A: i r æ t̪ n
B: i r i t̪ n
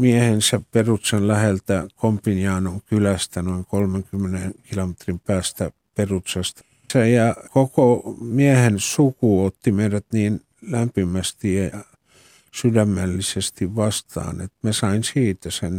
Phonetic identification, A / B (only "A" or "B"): A